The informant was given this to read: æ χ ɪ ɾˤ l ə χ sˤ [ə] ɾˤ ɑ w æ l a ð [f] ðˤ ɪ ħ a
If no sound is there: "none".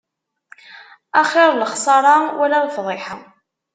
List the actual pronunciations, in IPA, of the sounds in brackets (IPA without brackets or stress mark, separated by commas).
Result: ɑ, f